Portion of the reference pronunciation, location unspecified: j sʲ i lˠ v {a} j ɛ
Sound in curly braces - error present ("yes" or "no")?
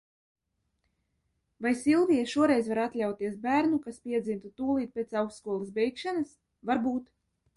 yes